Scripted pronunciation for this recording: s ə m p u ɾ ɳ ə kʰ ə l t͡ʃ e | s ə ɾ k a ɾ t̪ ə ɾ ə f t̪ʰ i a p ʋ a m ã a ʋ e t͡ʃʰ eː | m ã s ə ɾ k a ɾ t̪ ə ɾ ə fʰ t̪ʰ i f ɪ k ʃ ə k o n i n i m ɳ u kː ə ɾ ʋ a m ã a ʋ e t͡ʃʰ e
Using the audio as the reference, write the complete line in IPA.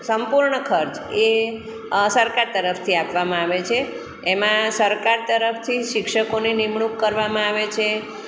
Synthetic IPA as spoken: s ə m p u ɾ ɳ ə kʰ ə ɾ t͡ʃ e | s ə ɾ k a ɾ t̪ ə ɾ ə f t̪ʰ i a p ʋ a m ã a ʋ e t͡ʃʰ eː | m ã s ə ɾ k a ɾ t̪ ə ɾ ə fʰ t̪ʰ i ʃ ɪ k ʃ ə k o n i n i m ɳ u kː ə ɾ ʋ a m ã a ʋ e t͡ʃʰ e